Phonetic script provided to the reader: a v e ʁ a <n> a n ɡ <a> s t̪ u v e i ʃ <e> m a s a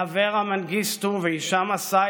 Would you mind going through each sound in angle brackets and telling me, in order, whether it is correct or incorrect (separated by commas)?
incorrect, incorrect, incorrect